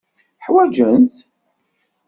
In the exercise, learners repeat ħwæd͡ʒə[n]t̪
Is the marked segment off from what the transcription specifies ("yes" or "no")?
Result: no